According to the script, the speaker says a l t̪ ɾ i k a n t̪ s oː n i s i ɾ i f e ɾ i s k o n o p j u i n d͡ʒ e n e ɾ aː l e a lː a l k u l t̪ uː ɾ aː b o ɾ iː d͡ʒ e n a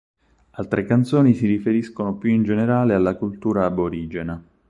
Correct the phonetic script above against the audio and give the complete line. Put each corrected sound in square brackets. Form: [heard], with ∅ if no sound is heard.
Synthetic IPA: a l t̪ ɾ [e] k a n t̪ s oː n i s i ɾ i f e ɾ i s k o n o p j u i n d͡ʒ e n e ɾ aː l e a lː a [∅] k u l t̪ uː ɾ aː b o ɾ iː d͡ʒ e n a